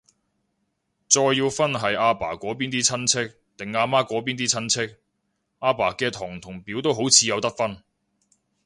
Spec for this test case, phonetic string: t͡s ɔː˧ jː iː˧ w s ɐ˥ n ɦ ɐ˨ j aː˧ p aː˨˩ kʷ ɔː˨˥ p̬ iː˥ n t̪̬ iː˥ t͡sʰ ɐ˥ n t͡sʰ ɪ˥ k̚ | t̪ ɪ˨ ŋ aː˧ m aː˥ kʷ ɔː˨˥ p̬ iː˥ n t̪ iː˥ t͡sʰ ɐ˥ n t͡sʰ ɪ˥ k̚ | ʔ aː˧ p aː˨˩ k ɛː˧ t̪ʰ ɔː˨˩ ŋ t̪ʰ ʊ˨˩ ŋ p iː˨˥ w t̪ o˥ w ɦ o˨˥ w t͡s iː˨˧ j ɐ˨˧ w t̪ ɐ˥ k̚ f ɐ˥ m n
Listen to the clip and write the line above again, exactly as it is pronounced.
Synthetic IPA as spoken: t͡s ɔː˧ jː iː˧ w f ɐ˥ n ɦ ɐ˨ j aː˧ p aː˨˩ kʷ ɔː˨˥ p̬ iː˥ n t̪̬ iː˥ t͡sʰ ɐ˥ n t͡sʰ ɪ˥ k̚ | t̪ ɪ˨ ŋ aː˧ m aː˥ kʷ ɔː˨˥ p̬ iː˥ n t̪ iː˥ t͡sʰ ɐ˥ n t͡sʰ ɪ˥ k̚ | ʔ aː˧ p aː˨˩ k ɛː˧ t̪ʰ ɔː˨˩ ŋ t̪ʰ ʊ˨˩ ŋ p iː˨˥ w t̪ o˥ w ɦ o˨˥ w t͡sʰ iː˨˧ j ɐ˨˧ w t̪ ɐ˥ k̚ f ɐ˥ n